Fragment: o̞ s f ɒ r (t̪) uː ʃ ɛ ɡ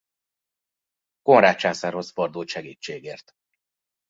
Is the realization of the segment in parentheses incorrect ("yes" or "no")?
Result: yes